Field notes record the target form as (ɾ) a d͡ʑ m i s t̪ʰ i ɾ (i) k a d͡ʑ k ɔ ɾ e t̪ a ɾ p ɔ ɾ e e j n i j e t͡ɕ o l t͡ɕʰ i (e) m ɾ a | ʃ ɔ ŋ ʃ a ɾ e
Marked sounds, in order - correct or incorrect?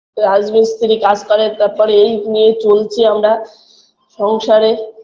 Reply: correct, correct, incorrect

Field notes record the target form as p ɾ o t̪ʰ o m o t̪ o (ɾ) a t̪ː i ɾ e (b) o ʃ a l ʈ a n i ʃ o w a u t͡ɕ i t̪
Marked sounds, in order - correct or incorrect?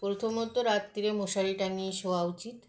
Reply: correct, incorrect

